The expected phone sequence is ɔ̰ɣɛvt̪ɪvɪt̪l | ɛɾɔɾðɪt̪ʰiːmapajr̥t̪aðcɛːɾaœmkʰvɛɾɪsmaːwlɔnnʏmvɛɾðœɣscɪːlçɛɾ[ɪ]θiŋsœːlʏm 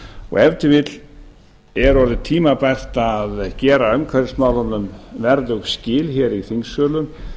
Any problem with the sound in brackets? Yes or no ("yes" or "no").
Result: yes